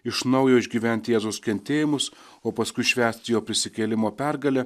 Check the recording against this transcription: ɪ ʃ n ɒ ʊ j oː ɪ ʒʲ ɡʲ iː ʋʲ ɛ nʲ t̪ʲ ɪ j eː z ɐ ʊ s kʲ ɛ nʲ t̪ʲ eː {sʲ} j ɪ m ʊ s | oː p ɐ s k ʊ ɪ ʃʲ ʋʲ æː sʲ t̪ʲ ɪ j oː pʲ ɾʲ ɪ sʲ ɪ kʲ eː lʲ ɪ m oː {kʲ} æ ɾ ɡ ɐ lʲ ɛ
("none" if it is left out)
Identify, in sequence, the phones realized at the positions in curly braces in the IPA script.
none, pʲ

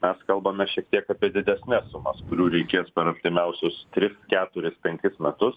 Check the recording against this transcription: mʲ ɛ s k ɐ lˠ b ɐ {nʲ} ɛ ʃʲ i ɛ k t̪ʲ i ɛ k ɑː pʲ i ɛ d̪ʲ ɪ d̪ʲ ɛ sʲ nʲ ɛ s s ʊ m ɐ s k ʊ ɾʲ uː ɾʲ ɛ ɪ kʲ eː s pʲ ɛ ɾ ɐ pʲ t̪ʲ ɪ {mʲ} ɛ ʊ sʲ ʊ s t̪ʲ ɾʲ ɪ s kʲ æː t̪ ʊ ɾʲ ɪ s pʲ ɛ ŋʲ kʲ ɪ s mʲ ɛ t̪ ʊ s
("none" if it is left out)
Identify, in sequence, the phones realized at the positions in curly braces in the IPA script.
mʲ, mʲ

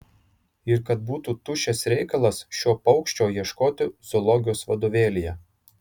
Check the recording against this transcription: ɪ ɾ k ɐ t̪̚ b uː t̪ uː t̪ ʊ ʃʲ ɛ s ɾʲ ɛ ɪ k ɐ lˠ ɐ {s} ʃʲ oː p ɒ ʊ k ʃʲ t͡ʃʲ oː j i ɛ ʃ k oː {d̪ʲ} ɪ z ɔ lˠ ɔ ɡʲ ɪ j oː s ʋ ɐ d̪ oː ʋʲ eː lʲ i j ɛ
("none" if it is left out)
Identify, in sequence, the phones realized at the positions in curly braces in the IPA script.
s, t̪ʲ

